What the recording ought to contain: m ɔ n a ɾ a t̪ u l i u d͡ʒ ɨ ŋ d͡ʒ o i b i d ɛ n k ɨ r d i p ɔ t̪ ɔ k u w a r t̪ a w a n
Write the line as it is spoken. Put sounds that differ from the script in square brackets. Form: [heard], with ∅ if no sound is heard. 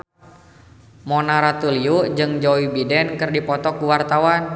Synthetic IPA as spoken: m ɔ n a ɾ a t̪ u l i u d͡ʒ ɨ ŋ d͡ʒ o i b i d ɛ n k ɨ r d i p ɔ t̪ ɔ k u w a r t̪ a w a n